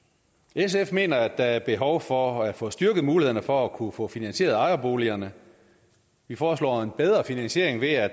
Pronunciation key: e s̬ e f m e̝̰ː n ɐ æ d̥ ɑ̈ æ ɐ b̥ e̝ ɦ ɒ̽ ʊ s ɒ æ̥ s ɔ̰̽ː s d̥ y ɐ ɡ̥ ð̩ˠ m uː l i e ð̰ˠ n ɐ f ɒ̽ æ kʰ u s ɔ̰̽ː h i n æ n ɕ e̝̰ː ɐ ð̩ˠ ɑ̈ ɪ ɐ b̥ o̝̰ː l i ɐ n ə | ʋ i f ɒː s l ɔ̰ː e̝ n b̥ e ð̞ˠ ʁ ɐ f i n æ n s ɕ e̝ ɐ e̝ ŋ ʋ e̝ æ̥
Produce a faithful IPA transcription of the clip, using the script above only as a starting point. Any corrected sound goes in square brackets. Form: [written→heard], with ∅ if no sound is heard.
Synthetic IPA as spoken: e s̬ e f m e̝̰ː n ɐ æ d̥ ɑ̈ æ ɐ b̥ e̝ ɦ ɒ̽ ʊ [s→f] ɒ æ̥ [s→f] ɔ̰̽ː s d̥ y ɐ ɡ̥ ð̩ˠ m uː l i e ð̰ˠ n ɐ f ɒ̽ æ kʰ u [s→f] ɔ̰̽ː [h→f] i n æ n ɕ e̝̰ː ɐ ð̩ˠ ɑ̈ ɪ ɐ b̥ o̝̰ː l i ɐ n ə | ʋ i f ɒː s l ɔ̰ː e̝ n b̥ e ð̞ˠ ʁ ɐ f i n æ n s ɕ e̝ ɐ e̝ ŋ ʋ e̝ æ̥